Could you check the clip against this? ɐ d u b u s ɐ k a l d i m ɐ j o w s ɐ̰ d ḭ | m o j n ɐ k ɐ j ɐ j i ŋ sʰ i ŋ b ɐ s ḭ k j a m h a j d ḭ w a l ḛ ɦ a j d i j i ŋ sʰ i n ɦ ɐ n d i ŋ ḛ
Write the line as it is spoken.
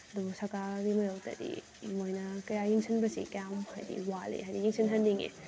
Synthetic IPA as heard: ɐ d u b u s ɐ k a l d i m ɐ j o w t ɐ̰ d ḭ | m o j n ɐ k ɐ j a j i ŋ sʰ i n b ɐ s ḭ k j a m h a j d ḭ w a l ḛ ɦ a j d i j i ŋ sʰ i n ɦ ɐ n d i ŋ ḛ